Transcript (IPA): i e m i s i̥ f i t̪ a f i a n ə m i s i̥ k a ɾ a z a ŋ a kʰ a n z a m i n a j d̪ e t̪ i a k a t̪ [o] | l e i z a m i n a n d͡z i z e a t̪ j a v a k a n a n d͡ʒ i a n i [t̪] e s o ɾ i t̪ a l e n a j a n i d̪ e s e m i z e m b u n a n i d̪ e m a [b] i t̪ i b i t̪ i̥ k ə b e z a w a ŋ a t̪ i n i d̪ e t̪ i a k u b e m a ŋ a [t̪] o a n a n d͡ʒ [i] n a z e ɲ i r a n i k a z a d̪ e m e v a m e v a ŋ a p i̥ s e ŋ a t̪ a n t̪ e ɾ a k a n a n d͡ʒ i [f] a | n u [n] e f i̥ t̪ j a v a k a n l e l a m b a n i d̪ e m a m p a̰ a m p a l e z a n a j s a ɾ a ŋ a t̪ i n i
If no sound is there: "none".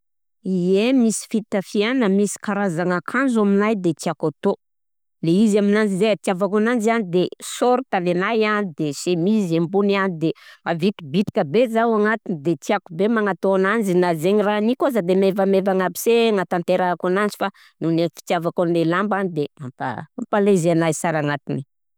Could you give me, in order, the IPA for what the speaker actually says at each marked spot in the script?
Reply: o, d̪, v, t̪, i, f, n

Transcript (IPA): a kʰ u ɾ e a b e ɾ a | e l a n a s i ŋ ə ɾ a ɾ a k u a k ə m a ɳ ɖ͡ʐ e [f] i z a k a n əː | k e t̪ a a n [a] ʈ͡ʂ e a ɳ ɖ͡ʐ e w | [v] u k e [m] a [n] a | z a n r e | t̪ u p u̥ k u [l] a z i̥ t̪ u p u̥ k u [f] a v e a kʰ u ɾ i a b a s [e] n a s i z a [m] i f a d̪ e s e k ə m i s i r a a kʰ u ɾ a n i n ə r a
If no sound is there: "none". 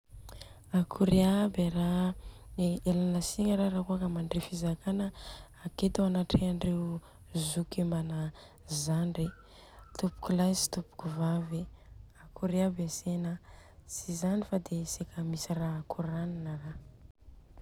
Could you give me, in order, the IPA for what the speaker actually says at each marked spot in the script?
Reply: f, a, z, m, n, l, v, e, n

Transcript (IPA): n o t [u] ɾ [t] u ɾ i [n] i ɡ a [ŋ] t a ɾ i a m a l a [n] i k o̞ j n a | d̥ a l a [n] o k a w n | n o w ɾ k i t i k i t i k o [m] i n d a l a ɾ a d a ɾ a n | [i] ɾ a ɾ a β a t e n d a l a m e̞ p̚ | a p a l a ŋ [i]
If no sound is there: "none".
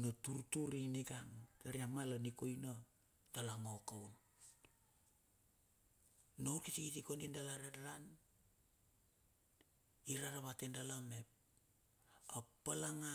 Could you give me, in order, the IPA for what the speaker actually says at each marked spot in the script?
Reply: u, t, n, ŋ, n, ŋ, n, i, a

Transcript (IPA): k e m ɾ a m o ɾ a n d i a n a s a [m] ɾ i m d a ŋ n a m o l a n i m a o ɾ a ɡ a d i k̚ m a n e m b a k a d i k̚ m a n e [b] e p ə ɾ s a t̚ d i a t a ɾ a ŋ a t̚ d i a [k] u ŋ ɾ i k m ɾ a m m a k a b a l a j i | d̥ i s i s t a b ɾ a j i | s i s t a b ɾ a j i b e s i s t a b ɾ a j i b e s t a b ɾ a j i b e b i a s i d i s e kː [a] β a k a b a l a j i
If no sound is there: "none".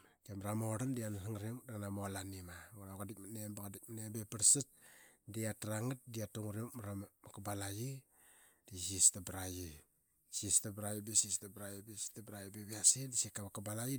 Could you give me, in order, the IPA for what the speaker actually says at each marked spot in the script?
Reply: ŋ, b, t, a

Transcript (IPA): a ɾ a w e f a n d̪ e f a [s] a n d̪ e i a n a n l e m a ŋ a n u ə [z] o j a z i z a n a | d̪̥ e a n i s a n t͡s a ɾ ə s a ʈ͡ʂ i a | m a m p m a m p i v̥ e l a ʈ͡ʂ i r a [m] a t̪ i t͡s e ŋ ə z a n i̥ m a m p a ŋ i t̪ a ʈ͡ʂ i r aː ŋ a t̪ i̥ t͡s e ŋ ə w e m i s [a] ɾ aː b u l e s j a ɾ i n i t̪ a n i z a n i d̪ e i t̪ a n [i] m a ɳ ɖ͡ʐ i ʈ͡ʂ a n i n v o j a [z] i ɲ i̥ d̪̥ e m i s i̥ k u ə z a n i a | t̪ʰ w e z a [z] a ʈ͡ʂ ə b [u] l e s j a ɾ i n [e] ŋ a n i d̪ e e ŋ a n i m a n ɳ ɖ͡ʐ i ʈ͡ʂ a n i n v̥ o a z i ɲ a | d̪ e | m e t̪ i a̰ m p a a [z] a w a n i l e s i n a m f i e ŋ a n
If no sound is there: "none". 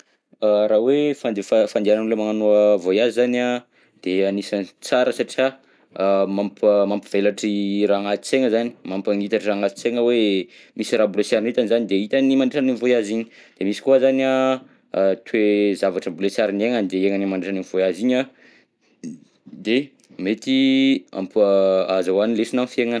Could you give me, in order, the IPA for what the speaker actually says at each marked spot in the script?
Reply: f, v, ŋ, i, i, z, v, u, e, z

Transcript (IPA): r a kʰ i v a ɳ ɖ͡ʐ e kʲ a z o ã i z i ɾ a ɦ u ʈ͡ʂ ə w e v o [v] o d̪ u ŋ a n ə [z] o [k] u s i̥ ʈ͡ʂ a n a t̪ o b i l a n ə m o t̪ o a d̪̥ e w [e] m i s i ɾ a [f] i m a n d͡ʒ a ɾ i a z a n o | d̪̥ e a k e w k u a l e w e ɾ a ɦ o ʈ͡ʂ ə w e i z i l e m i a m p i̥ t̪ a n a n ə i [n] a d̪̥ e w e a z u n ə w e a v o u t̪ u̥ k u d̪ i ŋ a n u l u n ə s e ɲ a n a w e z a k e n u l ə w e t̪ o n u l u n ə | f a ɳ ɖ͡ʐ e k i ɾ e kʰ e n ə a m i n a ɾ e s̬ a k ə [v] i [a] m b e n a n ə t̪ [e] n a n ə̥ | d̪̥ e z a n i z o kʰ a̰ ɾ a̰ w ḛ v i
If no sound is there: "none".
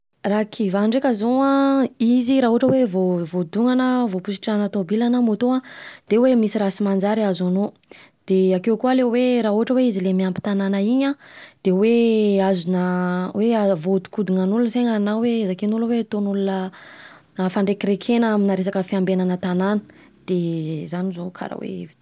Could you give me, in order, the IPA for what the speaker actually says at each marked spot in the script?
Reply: v, v, p, e, s, ɲ, f, a, a

